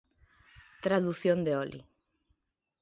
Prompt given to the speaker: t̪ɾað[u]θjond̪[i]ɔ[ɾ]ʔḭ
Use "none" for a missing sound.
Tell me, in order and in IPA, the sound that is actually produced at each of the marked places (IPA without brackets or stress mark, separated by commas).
u, e, l